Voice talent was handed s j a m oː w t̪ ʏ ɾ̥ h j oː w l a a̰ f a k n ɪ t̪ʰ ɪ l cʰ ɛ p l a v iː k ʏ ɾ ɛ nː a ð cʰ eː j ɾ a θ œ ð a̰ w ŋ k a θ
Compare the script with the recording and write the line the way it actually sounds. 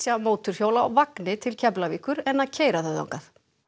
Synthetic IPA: s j a m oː w t̪ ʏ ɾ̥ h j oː w l a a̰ v a k n ɪ t̪ʰ ɪ l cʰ ɛ p l a v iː k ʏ ɾ ɛ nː a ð cʰ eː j ɾ a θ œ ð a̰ w ŋ k a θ